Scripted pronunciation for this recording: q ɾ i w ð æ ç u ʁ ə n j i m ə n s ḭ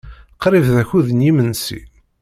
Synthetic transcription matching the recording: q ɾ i v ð æ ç u ð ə n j i m ə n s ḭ

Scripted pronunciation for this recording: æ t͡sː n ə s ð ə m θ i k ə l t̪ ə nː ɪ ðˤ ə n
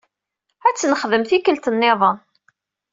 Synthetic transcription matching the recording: æ t͡sː n ə χ ð ə m θ i k ə l t̪ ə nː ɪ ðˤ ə n

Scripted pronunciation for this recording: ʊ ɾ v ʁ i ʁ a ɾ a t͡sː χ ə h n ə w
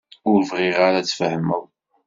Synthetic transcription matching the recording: ʊ ɾ v ʁ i ʁ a ɾ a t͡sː f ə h m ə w

